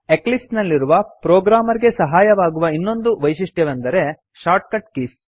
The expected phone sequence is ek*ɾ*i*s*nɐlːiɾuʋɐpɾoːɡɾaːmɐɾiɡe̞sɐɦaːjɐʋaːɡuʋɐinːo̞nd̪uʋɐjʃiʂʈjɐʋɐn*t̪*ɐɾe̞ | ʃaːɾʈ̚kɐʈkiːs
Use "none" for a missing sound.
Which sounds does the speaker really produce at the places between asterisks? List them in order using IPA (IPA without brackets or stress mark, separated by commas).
l, s, d̪